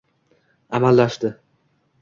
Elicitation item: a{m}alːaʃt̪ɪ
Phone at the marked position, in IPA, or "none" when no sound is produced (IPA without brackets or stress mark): m